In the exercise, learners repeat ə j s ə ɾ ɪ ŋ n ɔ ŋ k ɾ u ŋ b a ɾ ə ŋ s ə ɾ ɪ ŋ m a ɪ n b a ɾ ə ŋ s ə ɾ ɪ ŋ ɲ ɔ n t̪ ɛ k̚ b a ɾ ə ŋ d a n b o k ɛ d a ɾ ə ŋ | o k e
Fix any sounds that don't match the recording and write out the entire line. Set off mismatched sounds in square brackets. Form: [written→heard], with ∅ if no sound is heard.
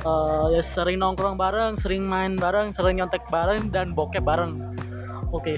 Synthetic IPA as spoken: ə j s ə ɾ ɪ ŋ n ɔ ŋ k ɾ [u→ɔ] ŋ b a ɾ ə ŋ s ə ɾ ɪ ŋ m a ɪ n b a ɾ ə ŋ s ə ɾ ɪ ŋ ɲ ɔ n t̪ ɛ k̚ b a ɾ ə ŋ d a n b o k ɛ [d→b] a ɾ ə ŋ | o k e